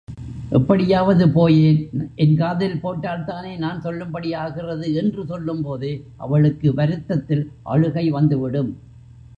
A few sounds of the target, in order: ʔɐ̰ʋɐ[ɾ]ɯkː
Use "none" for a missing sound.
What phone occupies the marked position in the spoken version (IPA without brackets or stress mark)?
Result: ɭ